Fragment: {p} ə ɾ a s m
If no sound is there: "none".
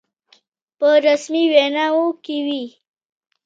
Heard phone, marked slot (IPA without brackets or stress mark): p